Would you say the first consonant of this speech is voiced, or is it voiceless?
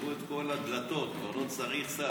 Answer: voiceless